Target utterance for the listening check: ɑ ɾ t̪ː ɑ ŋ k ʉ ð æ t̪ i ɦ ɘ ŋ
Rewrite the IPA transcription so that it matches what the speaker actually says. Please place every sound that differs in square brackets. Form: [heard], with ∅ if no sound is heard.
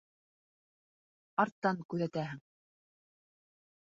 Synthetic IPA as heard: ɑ ɾ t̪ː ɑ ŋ k ʉ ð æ t̪ [æ] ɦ ɘ ŋ